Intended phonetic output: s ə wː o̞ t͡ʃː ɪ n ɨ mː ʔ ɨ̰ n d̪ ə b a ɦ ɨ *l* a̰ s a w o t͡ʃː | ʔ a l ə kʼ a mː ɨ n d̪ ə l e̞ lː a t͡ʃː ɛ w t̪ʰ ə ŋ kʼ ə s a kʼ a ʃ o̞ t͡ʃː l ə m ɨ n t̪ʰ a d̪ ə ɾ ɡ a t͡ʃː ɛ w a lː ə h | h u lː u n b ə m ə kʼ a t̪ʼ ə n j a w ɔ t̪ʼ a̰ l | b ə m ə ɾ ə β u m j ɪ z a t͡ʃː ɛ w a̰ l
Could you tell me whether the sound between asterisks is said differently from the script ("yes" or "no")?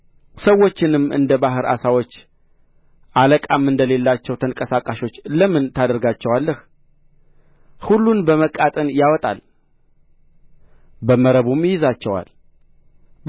yes